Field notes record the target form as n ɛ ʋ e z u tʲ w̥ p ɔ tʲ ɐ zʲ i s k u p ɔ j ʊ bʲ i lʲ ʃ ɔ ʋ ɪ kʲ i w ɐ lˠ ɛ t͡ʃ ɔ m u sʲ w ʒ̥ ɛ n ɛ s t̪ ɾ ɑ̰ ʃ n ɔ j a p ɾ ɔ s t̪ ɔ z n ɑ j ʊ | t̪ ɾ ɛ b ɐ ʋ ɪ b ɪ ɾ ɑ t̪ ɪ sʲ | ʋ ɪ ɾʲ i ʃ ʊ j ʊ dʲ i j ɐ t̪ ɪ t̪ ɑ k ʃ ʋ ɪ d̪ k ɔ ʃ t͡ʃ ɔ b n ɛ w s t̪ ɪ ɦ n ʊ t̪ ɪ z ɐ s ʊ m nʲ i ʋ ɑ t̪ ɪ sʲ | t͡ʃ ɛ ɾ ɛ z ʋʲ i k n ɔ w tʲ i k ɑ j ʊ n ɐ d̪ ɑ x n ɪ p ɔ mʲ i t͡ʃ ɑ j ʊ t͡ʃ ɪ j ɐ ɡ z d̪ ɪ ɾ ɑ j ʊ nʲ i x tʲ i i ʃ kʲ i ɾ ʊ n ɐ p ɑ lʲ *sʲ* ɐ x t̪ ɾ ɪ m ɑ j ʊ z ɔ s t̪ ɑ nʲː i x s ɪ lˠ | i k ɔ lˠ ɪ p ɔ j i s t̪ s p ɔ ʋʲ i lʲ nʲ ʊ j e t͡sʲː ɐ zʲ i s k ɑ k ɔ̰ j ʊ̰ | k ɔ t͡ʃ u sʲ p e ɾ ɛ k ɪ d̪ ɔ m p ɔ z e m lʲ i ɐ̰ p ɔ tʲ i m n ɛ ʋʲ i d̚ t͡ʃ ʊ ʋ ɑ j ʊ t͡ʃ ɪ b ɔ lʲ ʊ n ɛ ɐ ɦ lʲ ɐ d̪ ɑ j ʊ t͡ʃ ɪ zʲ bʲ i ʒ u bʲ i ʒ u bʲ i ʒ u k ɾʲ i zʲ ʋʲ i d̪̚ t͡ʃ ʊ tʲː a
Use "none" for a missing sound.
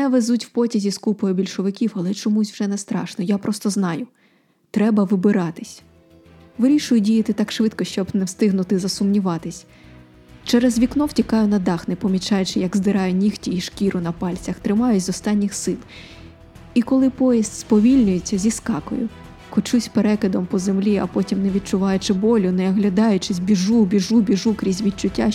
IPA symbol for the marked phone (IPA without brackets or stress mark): t͡sʲ